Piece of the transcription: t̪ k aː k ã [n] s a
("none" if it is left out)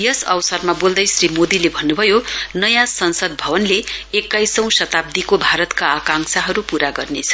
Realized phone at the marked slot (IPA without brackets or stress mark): ŋ